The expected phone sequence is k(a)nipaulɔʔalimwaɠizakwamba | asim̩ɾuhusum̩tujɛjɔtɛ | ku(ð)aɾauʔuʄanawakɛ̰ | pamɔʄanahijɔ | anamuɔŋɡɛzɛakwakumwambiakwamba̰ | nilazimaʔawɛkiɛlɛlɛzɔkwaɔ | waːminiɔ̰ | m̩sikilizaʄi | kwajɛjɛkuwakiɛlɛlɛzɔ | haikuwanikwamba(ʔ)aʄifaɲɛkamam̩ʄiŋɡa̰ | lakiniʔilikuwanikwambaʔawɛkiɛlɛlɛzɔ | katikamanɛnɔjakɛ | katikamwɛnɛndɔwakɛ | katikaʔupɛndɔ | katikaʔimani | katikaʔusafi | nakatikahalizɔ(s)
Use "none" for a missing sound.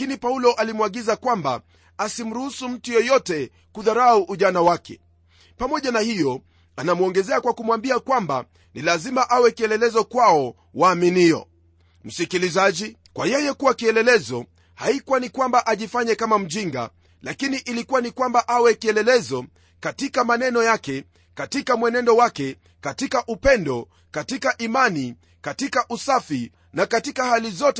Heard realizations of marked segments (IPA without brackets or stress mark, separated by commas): i, ð, ʔ, t